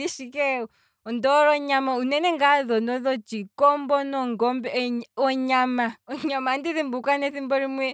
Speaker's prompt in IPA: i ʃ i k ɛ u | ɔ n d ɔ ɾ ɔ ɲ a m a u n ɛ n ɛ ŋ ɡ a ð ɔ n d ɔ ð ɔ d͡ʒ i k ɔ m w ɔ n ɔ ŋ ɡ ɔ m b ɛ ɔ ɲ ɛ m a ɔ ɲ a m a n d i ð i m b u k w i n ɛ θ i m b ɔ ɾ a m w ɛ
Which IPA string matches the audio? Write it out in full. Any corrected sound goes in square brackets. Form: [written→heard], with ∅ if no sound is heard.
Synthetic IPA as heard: i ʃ i k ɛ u | ɔ n d ɔ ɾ ɔ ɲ a m a u n ɛ n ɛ ŋ ɡ a ð ɔ n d ɔ ð ɔ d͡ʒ i k ɔ m [w→b] ɔ n ɔ ŋ ɡ ɔ m b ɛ ɔ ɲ [ɛ→a] m a ɔ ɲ a m a n d i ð i m b u k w [i→a] n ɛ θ i m b ɔ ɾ [a→i] m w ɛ